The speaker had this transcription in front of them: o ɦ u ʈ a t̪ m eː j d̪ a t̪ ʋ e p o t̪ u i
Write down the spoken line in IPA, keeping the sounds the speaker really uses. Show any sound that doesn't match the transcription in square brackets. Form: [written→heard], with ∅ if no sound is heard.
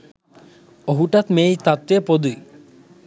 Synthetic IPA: o ɦ u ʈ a t̪ m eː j [d̪→t̪] a t̪ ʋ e p o [t̪→d̪] u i